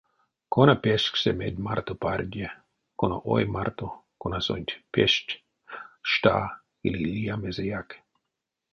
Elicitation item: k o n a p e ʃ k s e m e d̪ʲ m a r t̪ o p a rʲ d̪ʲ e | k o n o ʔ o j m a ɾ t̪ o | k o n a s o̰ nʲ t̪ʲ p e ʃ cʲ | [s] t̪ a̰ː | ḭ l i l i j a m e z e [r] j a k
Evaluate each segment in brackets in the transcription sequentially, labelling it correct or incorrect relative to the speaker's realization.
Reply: incorrect, incorrect

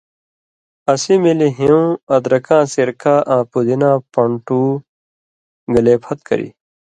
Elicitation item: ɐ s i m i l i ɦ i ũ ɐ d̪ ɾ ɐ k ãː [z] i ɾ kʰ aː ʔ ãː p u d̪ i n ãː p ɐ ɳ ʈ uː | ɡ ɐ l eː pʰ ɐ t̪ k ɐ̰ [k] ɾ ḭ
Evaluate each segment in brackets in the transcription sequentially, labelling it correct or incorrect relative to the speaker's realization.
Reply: incorrect, incorrect

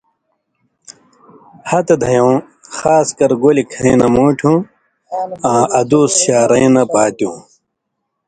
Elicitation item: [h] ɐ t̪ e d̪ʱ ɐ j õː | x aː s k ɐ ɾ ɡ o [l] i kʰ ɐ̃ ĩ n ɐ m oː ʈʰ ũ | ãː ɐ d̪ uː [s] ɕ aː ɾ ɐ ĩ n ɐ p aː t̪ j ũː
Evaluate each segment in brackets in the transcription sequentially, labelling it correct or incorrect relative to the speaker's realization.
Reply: correct, correct, correct

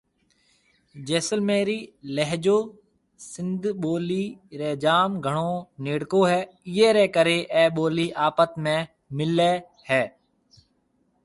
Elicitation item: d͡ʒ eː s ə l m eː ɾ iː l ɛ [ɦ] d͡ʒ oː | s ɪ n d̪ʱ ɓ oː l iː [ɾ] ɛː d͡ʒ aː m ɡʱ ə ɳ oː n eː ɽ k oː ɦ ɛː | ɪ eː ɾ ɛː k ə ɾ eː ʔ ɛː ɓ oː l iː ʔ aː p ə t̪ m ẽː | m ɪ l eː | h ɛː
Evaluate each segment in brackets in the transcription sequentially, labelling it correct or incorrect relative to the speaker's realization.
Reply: correct, correct

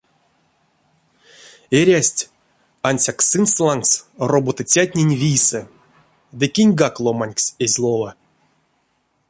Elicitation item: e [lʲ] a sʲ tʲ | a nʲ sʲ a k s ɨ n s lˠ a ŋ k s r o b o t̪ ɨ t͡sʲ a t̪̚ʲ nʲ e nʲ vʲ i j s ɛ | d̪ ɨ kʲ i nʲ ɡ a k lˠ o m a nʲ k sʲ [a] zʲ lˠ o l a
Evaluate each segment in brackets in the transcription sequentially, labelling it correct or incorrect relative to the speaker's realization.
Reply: incorrect, incorrect

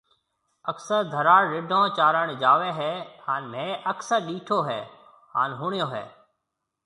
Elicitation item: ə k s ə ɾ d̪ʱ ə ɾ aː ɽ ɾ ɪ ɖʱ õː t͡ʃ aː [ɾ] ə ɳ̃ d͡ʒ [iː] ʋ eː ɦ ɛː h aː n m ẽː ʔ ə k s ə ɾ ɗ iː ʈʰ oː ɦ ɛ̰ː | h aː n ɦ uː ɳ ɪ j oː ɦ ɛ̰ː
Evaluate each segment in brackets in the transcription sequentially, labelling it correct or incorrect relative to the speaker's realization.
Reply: correct, incorrect

